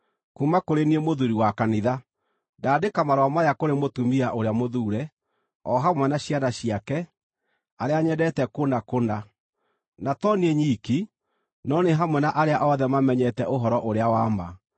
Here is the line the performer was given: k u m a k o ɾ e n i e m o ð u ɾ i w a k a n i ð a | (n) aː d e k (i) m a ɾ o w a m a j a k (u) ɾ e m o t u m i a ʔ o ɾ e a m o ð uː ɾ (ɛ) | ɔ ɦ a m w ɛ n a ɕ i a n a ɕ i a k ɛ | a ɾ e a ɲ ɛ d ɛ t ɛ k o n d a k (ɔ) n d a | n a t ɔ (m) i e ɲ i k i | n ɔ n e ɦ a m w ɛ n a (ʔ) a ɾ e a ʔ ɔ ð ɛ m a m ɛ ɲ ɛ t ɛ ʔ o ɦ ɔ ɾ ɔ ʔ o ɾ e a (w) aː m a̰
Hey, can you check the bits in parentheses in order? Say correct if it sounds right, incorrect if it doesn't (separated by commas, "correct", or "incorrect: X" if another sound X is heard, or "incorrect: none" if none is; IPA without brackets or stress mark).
incorrect: d, incorrect: a, incorrect: o, correct, incorrect: o, incorrect: n, correct, correct